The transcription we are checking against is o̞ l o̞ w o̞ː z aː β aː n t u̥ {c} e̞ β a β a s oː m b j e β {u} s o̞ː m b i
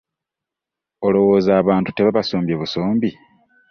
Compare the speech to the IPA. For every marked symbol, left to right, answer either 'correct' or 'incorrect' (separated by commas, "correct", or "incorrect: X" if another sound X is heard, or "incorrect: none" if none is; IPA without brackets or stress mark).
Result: incorrect: t, correct